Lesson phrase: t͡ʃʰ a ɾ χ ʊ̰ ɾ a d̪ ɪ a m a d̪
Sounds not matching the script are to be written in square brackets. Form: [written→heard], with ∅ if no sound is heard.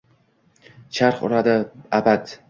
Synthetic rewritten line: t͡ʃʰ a ɾ χ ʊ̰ ɾ a d̪ ɪ a [m→b] a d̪